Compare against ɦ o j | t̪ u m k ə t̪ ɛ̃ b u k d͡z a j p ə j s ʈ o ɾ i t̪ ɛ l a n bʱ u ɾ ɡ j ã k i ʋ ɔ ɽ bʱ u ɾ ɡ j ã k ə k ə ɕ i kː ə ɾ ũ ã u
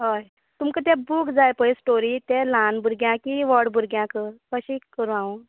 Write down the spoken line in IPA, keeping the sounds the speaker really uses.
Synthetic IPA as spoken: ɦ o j | t̪ u m k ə t̪ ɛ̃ b u k d͡z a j p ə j s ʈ o ɾ i t̪ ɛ l a n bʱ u ɾ ɡ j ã k i ʋ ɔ ɽ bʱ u ɾ ɡ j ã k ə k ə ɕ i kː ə ɾ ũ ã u